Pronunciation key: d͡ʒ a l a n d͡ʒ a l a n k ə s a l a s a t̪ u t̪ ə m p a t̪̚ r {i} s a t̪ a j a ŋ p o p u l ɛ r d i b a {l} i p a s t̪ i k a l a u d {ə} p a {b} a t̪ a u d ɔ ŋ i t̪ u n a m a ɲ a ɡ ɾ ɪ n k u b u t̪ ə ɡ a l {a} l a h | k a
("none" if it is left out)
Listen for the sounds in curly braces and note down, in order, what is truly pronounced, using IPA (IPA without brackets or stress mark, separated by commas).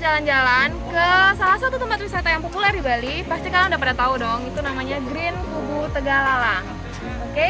i, l, a, d, a